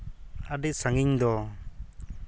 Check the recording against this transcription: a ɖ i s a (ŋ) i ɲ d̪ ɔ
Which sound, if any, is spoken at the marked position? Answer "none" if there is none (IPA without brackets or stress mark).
ŋ